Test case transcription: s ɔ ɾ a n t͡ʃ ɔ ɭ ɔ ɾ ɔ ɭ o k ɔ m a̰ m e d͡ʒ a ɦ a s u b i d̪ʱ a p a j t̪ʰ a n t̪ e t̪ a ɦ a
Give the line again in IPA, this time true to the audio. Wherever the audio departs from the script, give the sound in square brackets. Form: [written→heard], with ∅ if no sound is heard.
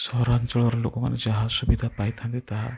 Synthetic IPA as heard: s ɔ ɾ a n t͡ʃ ɔ ɭ ɔ ɾ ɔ [ɭ→l] o k ɔ m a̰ [m→n] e d͡ʒ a ɦ a s u b i d̪ʱ a p a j t̪ʰ a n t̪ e t̪ a ɦ a